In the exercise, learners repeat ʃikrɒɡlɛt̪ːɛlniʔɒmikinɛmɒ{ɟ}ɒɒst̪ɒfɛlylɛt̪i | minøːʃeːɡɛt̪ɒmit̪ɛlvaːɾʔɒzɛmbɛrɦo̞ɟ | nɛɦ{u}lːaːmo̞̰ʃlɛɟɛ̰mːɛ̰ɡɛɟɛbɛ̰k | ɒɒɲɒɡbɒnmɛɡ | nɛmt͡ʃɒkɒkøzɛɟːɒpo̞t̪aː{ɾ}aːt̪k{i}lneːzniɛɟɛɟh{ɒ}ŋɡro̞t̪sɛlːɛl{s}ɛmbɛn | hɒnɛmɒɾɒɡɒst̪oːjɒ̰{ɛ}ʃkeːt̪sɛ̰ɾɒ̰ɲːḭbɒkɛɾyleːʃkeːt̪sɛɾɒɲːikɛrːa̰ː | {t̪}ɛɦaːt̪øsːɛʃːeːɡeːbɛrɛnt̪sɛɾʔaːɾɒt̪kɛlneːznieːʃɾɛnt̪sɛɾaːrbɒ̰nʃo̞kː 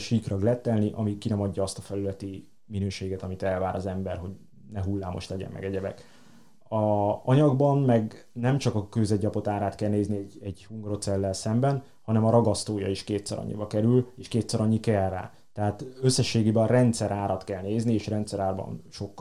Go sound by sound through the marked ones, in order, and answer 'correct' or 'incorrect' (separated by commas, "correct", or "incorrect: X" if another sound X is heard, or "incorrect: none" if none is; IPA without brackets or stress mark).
incorrect: ɟː, correct, correct, incorrect: ɛ, incorrect: u, correct, incorrect: i, correct